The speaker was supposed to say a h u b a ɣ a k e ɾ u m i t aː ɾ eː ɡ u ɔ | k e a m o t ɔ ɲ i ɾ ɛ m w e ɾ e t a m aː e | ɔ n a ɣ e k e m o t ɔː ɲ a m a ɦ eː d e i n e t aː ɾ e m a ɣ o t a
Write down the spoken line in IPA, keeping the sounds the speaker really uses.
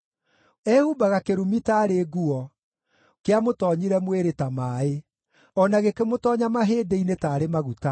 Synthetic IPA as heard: ɛ h u b a ɣ a k e ɾ u m i t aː ɾ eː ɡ u ɔ | k e a m o t ɔ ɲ i ɾ ɛ m w e ɾ e t a m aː e | ɔ n a ɣ e k e m o t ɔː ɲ a m a ɦ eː d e i n e t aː ɾ e m a ɣ u t a